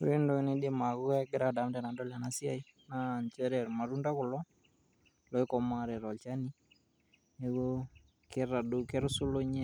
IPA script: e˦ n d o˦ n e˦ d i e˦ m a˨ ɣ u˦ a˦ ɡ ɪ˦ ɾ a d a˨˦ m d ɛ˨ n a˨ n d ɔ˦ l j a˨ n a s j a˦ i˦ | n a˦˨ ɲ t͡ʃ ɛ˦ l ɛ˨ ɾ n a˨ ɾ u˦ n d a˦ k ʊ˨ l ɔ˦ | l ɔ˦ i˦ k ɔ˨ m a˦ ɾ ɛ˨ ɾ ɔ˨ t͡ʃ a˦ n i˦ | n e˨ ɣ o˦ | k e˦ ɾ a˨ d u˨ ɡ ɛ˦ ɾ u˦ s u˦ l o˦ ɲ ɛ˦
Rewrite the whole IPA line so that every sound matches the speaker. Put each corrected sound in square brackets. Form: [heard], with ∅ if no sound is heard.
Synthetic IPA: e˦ n d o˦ n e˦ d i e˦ m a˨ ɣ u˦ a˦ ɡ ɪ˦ ɾ a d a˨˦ m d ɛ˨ n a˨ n d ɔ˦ l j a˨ n a s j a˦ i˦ | n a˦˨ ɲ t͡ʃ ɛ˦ [ɾ] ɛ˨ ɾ [m] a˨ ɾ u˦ n d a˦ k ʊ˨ l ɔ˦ | l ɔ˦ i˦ k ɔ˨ m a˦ ɾ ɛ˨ ɾ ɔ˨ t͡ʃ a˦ n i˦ | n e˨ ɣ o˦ | k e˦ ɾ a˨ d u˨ [k] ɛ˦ ɾ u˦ s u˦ l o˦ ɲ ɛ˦